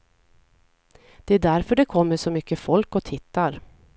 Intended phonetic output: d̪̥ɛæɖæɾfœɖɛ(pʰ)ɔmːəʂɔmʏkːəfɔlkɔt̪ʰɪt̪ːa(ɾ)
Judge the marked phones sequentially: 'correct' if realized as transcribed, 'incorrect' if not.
incorrect: kʰ, correct

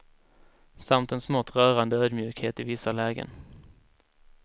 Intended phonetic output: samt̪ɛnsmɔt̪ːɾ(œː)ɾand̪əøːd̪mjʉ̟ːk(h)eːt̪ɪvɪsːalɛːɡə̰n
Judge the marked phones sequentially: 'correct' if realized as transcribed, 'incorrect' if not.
correct, correct

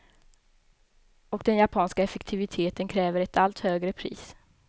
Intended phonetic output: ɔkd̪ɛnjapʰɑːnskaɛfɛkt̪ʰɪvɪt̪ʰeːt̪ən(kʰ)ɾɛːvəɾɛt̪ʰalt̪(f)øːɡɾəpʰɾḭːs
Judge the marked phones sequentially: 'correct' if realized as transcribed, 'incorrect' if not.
correct, incorrect: h

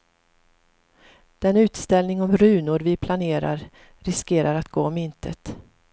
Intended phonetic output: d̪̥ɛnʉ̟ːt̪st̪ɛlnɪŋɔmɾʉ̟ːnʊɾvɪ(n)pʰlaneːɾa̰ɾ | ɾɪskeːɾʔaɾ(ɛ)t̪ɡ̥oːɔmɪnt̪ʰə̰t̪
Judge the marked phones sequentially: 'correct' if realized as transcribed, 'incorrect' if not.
incorrect: none, incorrect: a

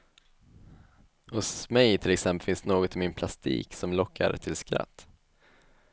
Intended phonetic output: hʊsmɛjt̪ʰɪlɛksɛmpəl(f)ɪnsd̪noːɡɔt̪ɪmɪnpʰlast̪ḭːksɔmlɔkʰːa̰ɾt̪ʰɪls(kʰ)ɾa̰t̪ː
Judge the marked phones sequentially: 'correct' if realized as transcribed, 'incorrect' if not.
correct, incorrect: k

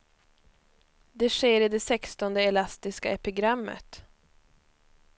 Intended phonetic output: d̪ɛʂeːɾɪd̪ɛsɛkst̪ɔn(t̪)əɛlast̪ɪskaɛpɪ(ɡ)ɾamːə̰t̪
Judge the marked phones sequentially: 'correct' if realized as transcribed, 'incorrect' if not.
incorrect: d̪, correct

